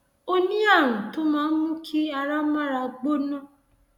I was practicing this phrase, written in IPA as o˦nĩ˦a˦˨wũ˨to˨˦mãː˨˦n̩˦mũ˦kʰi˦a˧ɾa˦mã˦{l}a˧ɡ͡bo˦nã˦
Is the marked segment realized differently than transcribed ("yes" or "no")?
yes